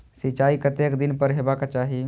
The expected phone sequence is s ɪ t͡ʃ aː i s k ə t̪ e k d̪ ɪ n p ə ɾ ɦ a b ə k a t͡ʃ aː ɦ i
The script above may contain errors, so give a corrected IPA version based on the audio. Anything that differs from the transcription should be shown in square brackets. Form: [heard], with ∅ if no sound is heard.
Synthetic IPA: s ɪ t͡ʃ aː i [∅] k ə t̪ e k d̪ ɪ n p ə ɾ ɦ [e] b [a] k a t͡ʃ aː ɦ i